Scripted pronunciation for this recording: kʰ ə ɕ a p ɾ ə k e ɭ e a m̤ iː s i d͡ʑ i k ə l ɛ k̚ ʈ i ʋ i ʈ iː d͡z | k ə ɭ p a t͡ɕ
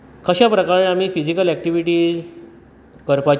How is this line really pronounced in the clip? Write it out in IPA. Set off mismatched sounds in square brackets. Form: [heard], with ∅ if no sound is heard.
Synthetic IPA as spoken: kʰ ə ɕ a p ɾ ə k [a] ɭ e a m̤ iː [f] i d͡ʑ i k ə l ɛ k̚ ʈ i ʋ i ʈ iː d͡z | k ə [ɾ] p a t͡ɕ